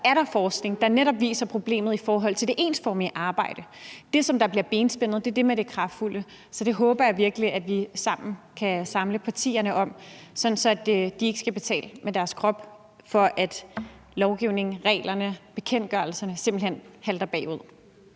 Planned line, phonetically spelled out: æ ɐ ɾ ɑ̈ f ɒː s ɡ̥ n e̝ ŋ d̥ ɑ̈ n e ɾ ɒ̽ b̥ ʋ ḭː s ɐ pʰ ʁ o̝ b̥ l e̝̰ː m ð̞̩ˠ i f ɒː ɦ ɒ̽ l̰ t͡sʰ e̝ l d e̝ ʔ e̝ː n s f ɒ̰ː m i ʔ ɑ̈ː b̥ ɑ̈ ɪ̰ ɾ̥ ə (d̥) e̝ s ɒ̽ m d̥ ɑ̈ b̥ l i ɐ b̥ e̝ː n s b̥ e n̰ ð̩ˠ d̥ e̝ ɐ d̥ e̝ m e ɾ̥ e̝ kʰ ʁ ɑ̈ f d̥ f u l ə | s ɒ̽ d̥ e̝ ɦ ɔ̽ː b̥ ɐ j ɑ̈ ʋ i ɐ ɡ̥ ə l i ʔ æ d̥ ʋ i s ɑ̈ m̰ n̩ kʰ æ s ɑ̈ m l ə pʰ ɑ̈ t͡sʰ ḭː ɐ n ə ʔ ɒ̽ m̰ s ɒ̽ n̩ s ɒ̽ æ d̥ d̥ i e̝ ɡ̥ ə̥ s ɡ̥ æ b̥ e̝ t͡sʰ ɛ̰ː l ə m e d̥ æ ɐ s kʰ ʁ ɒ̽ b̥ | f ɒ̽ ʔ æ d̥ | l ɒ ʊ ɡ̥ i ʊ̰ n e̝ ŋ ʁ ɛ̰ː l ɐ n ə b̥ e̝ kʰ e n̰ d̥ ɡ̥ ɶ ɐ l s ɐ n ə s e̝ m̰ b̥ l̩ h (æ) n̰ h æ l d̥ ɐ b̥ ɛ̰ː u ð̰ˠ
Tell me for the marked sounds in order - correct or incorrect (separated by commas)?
correct, incorrect